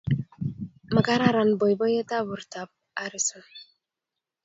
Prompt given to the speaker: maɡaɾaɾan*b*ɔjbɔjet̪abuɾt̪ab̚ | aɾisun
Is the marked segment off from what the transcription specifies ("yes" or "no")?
no